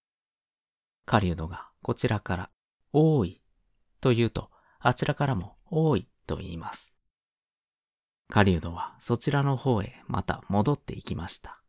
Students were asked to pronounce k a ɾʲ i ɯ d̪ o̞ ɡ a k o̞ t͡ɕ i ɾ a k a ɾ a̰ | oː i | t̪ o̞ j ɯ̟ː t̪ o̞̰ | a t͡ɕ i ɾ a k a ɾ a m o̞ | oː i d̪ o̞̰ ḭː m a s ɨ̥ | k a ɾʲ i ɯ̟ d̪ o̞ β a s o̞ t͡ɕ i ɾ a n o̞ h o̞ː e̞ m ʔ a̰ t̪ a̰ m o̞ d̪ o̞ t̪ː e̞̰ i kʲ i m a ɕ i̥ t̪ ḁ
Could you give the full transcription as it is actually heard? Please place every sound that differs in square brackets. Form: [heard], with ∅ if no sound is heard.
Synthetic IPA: k a ɾʲ i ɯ d̪ o̞ ɡ a k o̞ t͡ɕ i ɾ a k a ɾ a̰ | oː i | t̪ o̞ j ɯ̟ː t̪ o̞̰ | a t͡ɕ i ɾ a k a ɾ a m o̞ | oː i [t̪] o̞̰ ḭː m a s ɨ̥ | k a ɾʲ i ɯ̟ d̪ o̞ β a s o̞ t͡ɕ i ɾ a n o̞ h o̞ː e̞ m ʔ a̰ t̪ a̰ m o̞ d̪ o̞ t̪ː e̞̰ i kʲ i m a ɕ i̥ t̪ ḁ